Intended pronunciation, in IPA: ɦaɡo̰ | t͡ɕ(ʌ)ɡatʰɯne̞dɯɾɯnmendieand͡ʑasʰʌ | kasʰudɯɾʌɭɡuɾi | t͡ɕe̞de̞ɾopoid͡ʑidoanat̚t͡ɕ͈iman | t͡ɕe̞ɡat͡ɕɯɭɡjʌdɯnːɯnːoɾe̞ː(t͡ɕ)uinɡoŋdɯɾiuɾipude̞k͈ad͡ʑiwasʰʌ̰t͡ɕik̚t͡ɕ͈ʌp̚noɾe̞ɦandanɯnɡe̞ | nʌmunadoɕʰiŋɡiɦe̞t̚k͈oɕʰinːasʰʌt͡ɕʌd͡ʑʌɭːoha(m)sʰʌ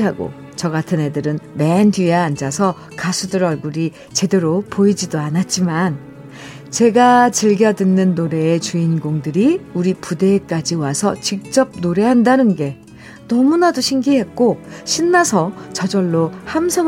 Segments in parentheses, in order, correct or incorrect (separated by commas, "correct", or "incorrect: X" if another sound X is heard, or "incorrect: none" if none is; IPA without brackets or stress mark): correct, correct, correct